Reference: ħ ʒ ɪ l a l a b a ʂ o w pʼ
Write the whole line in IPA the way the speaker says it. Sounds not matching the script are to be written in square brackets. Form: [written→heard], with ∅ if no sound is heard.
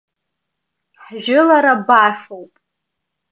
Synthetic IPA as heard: ħ ʒ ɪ l a [l→ɾ] a b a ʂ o w pʼ